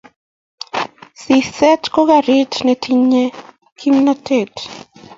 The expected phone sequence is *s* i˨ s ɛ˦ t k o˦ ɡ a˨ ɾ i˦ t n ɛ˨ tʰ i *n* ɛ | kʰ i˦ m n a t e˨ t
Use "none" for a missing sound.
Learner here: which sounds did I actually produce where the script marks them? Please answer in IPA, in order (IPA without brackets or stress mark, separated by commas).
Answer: s, ɲ